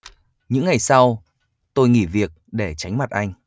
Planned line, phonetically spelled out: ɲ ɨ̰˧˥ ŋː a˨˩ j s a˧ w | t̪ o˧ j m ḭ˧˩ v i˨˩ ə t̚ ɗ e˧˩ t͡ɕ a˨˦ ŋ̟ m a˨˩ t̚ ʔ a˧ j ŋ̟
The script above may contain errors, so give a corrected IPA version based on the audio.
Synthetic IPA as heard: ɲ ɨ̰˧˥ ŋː a˨˩ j s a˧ w | t̪ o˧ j ŋ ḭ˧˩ v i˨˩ ə k̚ ɗ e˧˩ t͡ɕ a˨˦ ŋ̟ m a˨˩ t̚ ʔ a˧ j ŋ̟